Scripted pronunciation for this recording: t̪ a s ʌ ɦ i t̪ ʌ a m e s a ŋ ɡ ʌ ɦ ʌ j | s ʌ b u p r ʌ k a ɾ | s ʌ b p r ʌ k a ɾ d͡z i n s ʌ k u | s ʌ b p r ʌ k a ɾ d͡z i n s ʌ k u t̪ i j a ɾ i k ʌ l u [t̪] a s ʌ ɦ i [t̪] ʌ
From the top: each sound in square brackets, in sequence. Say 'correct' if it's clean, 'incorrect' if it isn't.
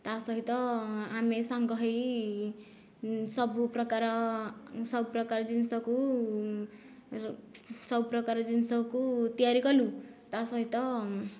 correct, correct

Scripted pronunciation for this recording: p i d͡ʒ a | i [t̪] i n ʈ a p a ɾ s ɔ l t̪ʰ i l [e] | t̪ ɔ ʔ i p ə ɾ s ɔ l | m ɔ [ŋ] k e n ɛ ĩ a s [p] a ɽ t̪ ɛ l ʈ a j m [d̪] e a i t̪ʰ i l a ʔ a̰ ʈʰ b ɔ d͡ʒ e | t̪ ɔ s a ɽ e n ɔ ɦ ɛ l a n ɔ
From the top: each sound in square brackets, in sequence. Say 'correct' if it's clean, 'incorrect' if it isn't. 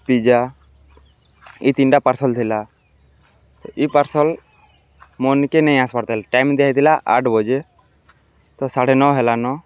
correct, incorrect: a, incorrect: n, correct, correct

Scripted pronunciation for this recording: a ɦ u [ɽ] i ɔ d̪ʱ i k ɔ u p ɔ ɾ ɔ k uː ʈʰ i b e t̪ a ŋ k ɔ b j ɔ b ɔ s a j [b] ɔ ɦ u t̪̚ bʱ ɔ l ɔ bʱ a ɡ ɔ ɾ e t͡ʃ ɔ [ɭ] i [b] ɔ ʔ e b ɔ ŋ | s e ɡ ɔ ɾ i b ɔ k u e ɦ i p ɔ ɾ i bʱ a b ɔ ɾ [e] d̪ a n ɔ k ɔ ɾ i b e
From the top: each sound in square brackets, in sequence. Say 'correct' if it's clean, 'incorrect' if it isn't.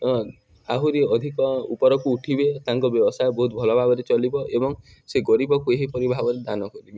incorrect: ɾ, correct, incorrect: l, correct, correct

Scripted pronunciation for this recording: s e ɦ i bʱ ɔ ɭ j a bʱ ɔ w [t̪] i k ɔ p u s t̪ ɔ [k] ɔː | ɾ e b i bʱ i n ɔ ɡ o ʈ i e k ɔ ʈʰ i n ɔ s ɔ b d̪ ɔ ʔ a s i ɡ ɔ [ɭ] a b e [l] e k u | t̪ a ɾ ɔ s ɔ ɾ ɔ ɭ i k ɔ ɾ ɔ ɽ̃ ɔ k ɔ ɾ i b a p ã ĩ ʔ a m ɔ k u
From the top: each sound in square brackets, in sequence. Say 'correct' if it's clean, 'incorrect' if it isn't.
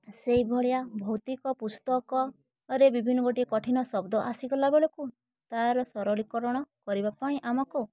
correct, correct, incorrect: l, incorrect: ɭ

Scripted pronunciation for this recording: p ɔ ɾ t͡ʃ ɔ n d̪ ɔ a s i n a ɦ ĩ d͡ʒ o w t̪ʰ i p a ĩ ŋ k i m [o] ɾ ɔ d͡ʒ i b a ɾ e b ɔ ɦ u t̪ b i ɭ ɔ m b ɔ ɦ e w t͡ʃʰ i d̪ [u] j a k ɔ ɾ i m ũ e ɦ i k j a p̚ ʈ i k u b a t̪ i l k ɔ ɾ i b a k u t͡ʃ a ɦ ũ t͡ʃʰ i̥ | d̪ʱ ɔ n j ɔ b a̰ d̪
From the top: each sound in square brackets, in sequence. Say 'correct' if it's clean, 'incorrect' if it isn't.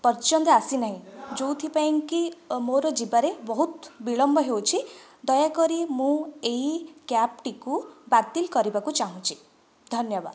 correct, incorrect: ɔ

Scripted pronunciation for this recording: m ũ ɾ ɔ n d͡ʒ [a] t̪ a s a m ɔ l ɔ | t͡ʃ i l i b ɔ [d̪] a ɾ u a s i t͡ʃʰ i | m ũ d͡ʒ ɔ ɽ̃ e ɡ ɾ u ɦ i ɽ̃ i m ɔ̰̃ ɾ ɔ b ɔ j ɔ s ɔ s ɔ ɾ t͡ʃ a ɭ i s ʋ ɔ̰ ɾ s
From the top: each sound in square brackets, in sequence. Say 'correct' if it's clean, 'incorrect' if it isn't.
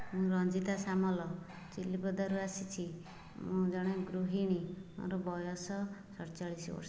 incorrect: i, correct

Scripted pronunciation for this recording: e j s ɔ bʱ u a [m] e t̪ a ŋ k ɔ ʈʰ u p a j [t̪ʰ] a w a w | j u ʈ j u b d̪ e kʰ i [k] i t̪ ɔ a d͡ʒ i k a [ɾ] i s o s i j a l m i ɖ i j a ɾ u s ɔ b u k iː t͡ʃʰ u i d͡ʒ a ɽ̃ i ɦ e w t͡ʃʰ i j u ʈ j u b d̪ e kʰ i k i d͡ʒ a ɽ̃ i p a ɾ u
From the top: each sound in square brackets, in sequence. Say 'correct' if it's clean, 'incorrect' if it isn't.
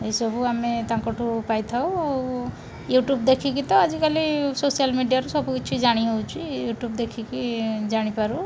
correct, correct, correct, incorrect: l

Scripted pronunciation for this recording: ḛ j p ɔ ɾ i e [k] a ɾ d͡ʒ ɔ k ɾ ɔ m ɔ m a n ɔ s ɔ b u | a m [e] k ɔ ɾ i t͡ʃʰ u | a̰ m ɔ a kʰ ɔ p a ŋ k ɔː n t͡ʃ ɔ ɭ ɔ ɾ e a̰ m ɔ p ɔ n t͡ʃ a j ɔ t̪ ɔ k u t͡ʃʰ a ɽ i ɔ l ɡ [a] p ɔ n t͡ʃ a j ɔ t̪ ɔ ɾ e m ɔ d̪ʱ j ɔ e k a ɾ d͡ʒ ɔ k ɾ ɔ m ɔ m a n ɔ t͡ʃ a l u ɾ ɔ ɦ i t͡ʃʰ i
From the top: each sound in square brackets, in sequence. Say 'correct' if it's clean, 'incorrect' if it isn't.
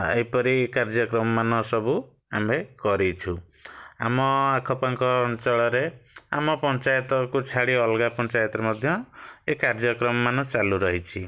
correct, correct, correct

